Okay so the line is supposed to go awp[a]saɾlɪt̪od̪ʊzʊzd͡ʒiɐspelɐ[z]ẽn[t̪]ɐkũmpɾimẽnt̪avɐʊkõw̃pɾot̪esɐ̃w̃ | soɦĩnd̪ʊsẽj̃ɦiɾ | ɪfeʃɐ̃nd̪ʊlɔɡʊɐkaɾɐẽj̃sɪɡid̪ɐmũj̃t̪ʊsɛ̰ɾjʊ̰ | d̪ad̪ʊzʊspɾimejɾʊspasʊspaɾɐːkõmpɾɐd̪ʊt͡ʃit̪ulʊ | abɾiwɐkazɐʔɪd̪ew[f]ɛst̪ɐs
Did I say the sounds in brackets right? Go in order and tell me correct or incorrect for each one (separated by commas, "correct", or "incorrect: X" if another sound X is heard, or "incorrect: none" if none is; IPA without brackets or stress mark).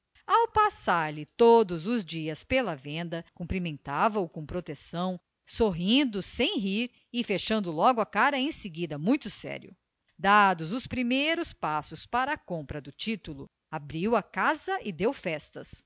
correct, incorrect: v, incorrect: d̪, correct